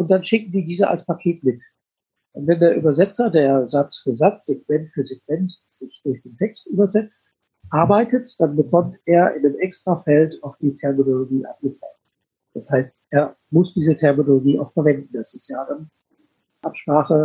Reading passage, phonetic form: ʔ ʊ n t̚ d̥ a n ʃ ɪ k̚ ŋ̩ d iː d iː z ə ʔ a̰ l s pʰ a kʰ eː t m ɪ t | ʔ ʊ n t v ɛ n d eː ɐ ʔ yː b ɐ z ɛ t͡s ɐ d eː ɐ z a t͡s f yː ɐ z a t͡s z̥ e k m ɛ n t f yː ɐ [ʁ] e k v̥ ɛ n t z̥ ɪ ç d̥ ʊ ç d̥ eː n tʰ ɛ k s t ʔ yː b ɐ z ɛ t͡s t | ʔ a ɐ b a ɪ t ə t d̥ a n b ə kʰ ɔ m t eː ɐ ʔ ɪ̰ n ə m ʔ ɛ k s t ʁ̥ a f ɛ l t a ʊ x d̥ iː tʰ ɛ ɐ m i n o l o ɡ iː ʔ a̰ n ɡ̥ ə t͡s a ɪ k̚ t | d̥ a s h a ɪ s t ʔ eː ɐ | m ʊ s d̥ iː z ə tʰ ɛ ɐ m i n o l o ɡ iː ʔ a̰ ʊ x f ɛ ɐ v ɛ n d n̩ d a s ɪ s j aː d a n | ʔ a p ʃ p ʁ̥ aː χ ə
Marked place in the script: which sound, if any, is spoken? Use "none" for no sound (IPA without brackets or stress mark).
z